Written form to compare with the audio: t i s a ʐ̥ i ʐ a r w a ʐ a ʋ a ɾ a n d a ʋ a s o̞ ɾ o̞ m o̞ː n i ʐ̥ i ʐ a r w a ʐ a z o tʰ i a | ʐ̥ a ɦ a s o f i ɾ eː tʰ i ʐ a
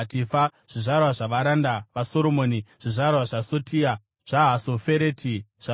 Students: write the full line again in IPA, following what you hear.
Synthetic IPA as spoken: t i f a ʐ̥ i ʐ a r w a ʐ a ʋ a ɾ a n d a ʋ a s o̞ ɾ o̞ m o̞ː n i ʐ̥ i ʐ a r w a ʐ a s o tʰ i a | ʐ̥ a ɦ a s o f e ɾ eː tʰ i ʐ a

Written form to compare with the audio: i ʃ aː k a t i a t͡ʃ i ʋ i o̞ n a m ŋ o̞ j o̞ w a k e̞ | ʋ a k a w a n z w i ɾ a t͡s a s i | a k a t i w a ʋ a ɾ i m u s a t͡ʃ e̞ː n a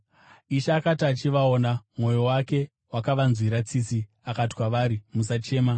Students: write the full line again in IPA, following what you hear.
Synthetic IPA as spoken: i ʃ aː k a t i a t͡ʃ i ʋ a o̞ n a m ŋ o̞ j o̞ w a k e̞ | w a k a ʋ a n z w i ɾ a t͡s i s i | a k a t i w a ʋ a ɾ i m u s a t͡ʃ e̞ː m a

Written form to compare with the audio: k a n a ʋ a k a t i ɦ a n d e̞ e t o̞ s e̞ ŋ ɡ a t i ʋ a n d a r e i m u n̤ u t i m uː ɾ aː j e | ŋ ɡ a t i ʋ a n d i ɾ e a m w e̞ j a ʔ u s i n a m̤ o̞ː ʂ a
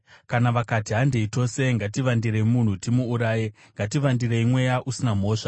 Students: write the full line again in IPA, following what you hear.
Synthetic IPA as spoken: k a n a ʋ a k a t i ɦ a n d e̞ i t o̞ s e̞ ŋ ɡ a t i ʋ a n d i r e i m u n̤ u t i m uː ɾ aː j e | ŋ ɡ a t i ʋ a n d i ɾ e i m w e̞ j a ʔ u s i n a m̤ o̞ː ʂ a

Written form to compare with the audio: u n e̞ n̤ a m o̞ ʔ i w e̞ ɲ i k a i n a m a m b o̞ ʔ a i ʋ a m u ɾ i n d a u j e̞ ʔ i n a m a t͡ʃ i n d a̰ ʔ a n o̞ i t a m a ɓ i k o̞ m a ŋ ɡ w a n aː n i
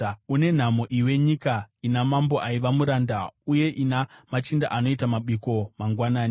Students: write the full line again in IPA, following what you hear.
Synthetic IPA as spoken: u n e̞ n̤ a m o̞ ʔ i w e̞ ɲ i k a i n a m a m b o̞ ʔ a i ʋ a m u ɾ a n d a u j e̞ ʔ i n a m a t͡ʃ i n d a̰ ʔ a n o̞ i t a m a ɓ i k o̞ m a ŋ ɡ w a n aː n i

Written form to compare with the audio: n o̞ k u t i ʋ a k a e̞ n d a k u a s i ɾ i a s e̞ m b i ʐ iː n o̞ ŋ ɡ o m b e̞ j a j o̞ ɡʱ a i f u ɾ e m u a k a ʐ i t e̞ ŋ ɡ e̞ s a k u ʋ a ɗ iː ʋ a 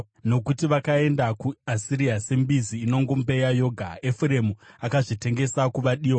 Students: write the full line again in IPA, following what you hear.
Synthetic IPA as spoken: n o̞ k u t i ʋ a k a e̞ n d a k u a s i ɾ i a s e̞ m b i z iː n o̞ ŋ ɡ o m b e̞ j a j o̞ ɡʱ a e f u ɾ e m u a k a ʐ i t e̞ ŋ ɡ e̞ s a k u ʋ a ɗ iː w a

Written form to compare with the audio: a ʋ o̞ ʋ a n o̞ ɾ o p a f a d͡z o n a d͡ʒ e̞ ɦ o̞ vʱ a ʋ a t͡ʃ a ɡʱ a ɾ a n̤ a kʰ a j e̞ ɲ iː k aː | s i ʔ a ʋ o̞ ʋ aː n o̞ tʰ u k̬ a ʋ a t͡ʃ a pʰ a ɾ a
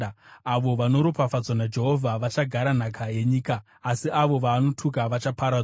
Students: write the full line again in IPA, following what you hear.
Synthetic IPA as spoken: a ʋ o̞ ʋ a n o̞ ɾ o p a f a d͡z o n a d͡ʒ e̞ ɦ o̞ vʱ a ʋ a t͡ʃ a ɡʱ a ɾ a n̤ a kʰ a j e̞ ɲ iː k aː | s i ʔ a ʋ o̞ ʋ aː n o̞ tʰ u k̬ a ʋ a t͡ʃ a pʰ a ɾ a

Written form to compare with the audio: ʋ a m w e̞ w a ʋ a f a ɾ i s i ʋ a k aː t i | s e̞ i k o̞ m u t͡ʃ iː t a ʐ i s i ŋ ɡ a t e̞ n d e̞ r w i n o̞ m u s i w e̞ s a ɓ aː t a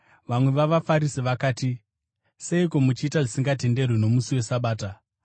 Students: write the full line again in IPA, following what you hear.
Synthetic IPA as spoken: ʋ a m w e̞ ʋ a ʋ a f a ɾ i s i ʋ a k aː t i | s e̞ i k o̞ m u t͡ʃ iː t a ʐ i s i ŋ ɡ a t e̞ n d e̞ r w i n o̞ m u s i w e̞ s a ɓ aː t a

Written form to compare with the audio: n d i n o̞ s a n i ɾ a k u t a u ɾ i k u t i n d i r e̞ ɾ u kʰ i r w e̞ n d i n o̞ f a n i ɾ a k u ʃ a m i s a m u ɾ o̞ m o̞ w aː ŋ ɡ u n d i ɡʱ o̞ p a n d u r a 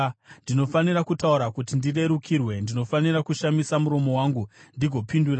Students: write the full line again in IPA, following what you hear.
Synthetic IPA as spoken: n d i n o̞ f a n i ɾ a k u t a u ɾ a k u t i n d i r e̞ ɾ u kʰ i r w e̞ n d i n o̞ f a n i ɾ a k u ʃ a m i s a m u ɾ o̞ m o̞ w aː ŋ ɡ u n d i ɡʱ o̞ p i n d u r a

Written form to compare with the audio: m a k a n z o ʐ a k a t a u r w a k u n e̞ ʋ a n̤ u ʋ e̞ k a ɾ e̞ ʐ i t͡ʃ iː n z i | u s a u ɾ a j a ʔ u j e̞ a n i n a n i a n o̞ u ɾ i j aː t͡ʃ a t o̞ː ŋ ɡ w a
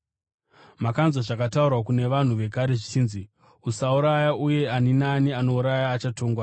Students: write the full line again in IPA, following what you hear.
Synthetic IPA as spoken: m a k a n z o ʐ a k a t a u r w a k u n e̞ ʋ a n̤ u ʋ e̞ k a ɾ e̞ ʐ i t͡ʃ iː n z i | u s a u ɾ a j a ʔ u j e̞ a n i n a n i a n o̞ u ɾ a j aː t͡ʃ a t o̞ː ŋ ɡ w a

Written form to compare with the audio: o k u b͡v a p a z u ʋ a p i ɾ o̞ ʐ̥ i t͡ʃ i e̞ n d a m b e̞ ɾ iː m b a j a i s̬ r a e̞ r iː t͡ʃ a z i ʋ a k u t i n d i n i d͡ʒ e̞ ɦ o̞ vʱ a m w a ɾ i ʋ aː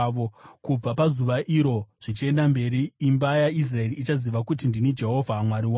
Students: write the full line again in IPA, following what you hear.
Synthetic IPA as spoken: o k u b͡v a p a z u ʋ a ʔ i ɾ o̞ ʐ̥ i t͡ʃ i e̞ n d a m b e̞ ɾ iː m b a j a i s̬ r a e̞ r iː t͡ʃ a z i ʋ a k u t i n d i n i d͡ʒ e̞ ɦ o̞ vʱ a m w a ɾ i w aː

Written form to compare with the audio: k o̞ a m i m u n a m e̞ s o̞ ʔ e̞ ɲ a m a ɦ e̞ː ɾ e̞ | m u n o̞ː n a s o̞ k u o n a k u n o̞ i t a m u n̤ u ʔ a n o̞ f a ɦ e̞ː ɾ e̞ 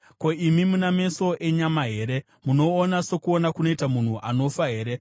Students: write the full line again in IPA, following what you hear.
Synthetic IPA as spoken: k o̞ i m i m u n a m e̞ s o̞ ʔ e̞ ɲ a m a ɦ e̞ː ɾ e̞ | m u n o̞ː n a s o̞ k u o n a k u n o̞ i t a m u n̤ u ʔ a n o̞ f a ɦ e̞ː ɾ e̞

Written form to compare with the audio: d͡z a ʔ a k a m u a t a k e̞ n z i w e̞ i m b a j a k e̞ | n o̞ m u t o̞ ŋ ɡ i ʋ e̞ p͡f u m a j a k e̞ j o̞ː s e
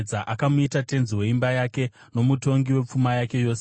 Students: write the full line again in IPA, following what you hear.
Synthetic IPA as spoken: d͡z a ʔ a k a m u i t a t e̞ n z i w e̞ i m b a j a k e̞ | n o̞ m u t o̞ ŋ ɡ i w e̞ p͡f u m a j a k e̞ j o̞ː s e

